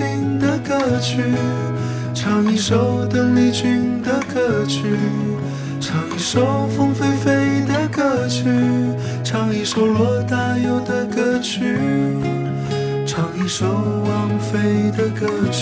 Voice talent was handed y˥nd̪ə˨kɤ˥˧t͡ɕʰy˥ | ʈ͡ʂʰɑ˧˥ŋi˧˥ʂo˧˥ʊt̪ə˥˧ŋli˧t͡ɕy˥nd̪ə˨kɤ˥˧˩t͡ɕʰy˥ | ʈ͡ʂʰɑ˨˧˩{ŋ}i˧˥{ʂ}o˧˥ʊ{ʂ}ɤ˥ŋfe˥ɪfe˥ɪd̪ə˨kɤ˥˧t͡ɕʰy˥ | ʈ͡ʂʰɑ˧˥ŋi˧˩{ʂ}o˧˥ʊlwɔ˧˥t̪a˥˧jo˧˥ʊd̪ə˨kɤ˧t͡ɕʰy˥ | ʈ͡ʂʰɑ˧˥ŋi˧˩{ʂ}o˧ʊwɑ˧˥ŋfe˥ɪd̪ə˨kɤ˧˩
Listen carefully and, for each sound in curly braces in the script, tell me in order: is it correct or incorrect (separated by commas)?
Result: correct, correct, incorrect, correct, correct